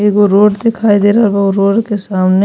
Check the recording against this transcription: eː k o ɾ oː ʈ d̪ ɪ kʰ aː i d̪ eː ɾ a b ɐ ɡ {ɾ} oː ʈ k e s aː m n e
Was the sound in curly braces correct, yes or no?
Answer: yes